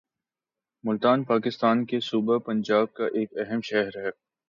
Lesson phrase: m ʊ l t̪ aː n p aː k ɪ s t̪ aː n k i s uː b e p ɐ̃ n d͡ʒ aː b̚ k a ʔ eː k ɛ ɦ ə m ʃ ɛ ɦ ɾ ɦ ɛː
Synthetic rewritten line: m ʊ l t̪ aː n p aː k ɪ s t̪ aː n k e s uː b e p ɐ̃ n d͡ʒ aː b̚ k a ʔ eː k ɛ ɦ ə m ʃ ɛ ɦ ɾ ɦ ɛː